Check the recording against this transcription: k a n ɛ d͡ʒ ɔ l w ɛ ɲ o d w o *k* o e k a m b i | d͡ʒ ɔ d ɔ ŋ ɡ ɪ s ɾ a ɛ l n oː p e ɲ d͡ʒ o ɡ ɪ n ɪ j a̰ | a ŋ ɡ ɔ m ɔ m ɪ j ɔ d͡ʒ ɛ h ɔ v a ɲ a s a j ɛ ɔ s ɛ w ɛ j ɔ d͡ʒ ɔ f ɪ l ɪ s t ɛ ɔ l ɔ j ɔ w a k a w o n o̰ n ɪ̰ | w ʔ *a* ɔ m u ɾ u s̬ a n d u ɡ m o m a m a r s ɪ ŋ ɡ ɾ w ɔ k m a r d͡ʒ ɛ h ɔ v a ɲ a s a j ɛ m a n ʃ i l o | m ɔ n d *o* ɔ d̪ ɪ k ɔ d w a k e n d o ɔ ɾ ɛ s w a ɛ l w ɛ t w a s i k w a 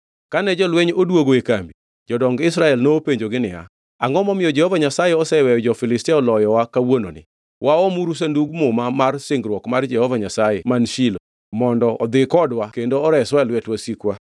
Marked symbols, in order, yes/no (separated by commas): no, yes, no